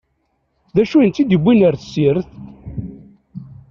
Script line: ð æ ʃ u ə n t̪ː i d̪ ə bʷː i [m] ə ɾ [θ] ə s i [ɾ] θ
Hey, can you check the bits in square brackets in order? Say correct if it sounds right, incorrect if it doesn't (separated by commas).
incorrect, correct, correct